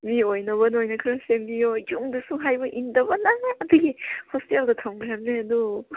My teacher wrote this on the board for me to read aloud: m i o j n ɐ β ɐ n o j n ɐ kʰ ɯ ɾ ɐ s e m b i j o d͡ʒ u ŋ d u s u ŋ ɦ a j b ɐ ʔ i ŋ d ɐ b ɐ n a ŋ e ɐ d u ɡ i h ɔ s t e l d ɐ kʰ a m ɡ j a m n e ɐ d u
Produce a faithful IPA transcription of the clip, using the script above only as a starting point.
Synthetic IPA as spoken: m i o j n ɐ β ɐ n o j n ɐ kʰ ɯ ɾ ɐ s e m b i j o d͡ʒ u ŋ d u s u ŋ ɦ a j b ɐ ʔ i n d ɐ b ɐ n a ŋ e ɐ d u ɡ i h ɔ s t e l d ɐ tʰ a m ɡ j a m n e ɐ d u